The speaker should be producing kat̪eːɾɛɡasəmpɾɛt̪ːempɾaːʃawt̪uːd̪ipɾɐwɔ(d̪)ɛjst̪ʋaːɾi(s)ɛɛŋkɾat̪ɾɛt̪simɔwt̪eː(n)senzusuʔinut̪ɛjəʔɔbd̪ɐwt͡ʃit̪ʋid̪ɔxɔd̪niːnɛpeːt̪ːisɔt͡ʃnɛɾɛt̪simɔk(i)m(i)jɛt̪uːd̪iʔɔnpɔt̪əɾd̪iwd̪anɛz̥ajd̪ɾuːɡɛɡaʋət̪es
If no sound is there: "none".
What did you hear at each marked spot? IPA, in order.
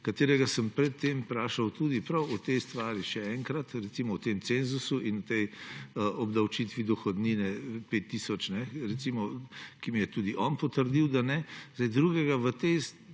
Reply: t̪, ʃ, m, i, i

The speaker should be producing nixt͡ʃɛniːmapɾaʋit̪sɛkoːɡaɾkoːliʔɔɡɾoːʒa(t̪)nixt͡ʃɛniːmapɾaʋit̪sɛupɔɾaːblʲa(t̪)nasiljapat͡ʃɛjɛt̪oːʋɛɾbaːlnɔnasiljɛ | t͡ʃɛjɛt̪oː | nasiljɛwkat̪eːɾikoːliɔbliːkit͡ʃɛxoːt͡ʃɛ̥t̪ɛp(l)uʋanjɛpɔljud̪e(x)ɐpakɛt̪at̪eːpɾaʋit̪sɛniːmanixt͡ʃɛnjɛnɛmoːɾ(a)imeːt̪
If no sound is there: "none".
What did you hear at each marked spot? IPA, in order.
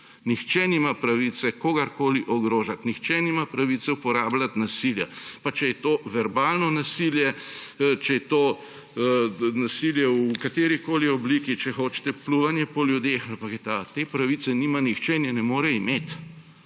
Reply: t̪, t̪, l, x, ɛ

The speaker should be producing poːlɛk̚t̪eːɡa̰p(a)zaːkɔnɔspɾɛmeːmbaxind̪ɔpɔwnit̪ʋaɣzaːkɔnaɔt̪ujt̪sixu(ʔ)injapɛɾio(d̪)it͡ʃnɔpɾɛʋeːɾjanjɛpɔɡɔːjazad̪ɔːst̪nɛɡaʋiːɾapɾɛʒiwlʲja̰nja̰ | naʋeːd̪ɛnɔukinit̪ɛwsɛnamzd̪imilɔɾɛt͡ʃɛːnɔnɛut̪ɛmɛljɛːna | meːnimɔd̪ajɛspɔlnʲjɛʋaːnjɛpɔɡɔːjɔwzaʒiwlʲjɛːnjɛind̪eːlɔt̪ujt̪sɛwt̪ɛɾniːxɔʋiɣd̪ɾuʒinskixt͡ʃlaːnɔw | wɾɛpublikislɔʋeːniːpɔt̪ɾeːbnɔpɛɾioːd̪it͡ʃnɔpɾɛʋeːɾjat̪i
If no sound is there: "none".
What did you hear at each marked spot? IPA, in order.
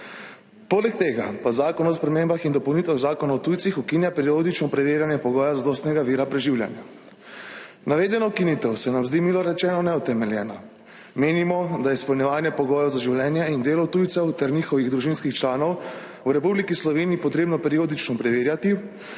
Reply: a, k, d̪

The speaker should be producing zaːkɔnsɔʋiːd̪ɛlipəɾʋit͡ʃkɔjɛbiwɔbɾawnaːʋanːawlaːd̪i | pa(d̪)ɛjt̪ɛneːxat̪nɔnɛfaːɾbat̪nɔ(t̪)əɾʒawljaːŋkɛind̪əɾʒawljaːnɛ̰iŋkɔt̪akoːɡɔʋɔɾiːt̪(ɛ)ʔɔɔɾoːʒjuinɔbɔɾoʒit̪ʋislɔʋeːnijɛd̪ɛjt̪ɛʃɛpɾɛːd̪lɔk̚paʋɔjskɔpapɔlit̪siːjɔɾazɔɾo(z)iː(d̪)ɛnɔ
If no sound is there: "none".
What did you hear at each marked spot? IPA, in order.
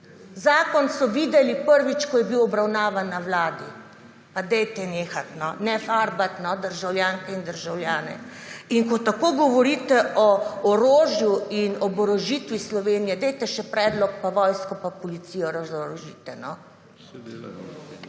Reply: d̪, d̪, ɛ, ʒ, t̪

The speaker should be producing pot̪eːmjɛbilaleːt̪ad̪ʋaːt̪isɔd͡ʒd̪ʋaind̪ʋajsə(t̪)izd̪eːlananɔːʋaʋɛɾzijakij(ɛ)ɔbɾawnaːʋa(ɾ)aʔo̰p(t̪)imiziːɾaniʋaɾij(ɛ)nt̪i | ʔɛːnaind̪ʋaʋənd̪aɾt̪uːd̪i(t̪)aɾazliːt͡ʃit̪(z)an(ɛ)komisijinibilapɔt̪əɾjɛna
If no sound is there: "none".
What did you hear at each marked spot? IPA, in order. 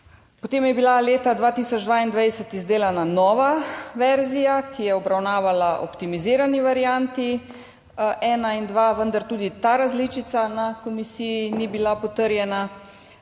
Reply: t̪, ɛ, l, t̪, a, t̪, s, a

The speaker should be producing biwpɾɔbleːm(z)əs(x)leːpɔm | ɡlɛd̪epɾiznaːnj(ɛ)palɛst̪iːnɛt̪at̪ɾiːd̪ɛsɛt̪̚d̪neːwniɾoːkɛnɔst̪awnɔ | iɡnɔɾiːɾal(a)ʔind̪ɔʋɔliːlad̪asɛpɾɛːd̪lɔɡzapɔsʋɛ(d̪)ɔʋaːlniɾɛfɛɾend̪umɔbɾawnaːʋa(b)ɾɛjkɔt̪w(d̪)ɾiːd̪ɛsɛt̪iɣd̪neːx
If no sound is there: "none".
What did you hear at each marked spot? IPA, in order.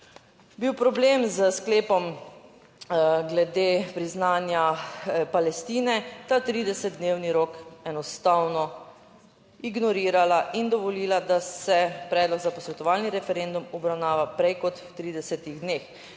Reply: z, k, a, a, t̪, p, t̪

